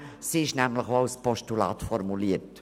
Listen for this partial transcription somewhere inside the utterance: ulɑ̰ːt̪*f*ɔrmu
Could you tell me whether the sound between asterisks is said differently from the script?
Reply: no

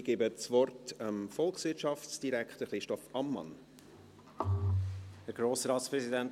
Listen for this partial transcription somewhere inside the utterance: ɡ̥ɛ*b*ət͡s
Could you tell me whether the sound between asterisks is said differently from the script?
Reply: no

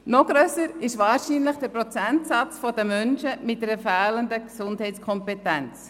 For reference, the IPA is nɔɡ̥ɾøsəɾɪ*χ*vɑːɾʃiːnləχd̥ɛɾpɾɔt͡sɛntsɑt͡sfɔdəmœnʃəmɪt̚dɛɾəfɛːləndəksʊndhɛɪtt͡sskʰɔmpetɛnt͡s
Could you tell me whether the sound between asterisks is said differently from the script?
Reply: yes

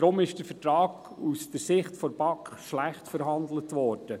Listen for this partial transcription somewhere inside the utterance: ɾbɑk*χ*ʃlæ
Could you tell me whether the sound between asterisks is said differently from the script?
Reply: no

